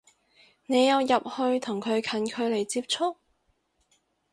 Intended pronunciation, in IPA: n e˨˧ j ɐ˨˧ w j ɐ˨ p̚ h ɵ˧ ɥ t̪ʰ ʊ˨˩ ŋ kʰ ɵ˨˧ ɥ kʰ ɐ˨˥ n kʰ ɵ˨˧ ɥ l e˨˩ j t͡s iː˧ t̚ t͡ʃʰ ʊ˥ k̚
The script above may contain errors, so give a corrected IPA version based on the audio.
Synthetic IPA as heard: n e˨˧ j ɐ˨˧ w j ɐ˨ p̚ h ɵ˧ ɥ t̪ʰ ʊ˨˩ ŋ kʰ ɵ˨˧ ɥ kʰ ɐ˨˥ n kʰ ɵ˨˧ ɥ l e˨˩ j t͡s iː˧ p̚ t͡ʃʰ ʊ˥ k̚